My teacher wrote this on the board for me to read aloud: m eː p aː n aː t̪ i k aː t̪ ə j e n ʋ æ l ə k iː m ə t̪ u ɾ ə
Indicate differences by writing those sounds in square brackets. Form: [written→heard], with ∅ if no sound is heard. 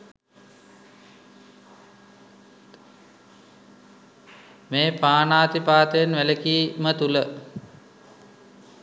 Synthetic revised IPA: m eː p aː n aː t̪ i [k→p] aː t̪ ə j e n ʋ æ l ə k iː m ə t̪ u [ɾ→l] ə

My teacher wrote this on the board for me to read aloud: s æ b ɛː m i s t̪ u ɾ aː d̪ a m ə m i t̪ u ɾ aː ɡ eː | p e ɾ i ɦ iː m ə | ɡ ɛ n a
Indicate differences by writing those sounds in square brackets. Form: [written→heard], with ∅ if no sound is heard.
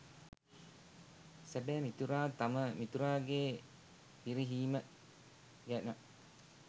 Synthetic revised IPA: s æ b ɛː m i [s→∅] t̪ u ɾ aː [d̪→t̪] a m ə m i t̪ u ɾ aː ɡ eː | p [e→i] ɾ i ɦ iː m ə | ɡ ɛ n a

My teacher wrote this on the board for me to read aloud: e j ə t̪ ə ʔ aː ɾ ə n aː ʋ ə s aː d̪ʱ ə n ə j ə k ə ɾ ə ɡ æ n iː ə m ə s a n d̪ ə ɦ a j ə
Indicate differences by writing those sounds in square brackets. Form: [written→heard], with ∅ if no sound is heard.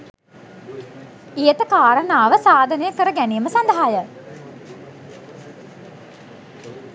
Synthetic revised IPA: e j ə t̪ ə [ʔ→k] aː ɾ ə n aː ʋ ə s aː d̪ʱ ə n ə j ə k ə ɾ ə ɡ æ n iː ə m ə s a n d̪ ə ɦ a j ə

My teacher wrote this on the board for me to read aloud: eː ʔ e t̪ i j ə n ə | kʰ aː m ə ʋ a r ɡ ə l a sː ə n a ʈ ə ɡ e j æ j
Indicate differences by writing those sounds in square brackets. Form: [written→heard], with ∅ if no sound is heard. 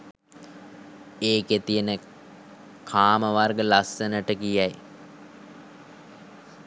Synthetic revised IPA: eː [ʔ→k] e t̪ i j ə n ə | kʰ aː m ə ʋ a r ɡ ə l a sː ə n [a→ə] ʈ ə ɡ [e→i] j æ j

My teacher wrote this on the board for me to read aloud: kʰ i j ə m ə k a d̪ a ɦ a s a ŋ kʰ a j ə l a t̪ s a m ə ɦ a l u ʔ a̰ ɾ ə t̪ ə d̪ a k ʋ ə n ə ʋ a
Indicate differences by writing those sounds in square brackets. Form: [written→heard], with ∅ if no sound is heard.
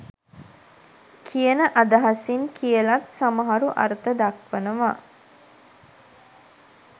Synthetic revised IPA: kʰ i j ə [m→n] ə [k→ʔ] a d̪ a ɦ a s [a→i] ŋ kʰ [a→i] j ə l a t̪ s a m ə ɦ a [l→ɾ] u ʔ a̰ ɾ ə t̪ ə d̪ a k ʋ ə n ə ʋ a

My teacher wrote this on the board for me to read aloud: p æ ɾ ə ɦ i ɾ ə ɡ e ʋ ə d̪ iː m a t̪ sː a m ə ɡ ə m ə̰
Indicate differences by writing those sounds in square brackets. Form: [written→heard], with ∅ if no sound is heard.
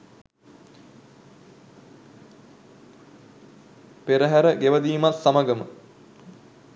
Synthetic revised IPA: p [æ→e] ɾ ə ɦ [i→æ] ɾ ə ɡ e ʋ ə d̪ iː m a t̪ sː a m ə ɡ ə m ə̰

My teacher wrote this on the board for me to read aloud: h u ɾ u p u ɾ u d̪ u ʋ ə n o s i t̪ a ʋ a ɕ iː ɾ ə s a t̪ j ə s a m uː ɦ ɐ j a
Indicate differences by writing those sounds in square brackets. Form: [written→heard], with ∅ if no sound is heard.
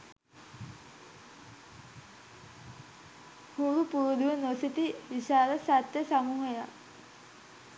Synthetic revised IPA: h u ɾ u p u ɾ u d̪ u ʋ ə n o s i t̪ [a→i] ʋ [a→i] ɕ [iː→aː] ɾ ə s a t̪ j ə s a m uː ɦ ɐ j a

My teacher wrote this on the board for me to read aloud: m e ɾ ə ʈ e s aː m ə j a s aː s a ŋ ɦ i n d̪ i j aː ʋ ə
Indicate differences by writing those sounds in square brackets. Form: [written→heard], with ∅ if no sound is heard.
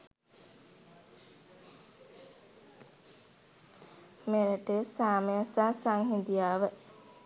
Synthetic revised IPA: m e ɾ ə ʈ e s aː m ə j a s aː s a ŋ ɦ i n d̪ i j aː ʋ ə

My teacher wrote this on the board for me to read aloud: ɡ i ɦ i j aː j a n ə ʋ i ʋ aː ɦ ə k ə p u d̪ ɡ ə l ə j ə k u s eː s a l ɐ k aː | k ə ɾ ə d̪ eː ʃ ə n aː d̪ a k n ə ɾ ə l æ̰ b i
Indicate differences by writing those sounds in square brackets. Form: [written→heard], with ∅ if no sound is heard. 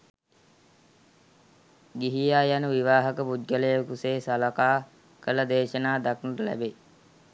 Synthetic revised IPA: ɡ i ɦ i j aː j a n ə ʋ i ʋ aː ɦ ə k ə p u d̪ ɡ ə l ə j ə k u s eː s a l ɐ k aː | k ə [ɾ→l] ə d̪ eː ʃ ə n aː d̪ a k n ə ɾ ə l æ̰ b [i→e]

